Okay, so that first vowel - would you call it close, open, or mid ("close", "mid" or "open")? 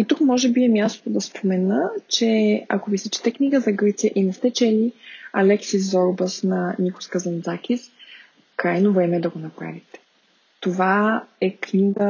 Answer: close